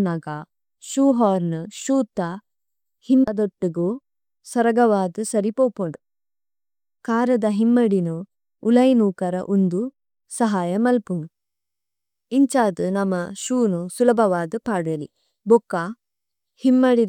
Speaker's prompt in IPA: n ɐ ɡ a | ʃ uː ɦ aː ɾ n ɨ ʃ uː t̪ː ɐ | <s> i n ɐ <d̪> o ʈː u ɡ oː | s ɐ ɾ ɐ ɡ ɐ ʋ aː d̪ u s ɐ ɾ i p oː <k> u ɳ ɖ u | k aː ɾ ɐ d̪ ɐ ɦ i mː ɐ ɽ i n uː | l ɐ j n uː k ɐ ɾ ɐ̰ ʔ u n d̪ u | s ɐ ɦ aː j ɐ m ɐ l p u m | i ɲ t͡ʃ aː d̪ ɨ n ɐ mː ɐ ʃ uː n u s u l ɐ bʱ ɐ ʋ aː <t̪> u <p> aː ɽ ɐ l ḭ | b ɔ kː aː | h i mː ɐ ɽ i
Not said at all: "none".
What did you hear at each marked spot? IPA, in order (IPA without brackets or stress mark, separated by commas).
h, d̪, p, d̪, p